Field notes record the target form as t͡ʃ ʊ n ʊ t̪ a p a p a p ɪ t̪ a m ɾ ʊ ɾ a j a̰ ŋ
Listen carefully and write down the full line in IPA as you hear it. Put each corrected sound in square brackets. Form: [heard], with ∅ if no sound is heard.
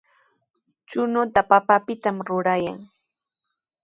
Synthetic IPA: t͡ʃ ʊ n ʊ t̪ a p a p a p ɪ t̪ a m ɾ ʊ ɾ a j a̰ ŋ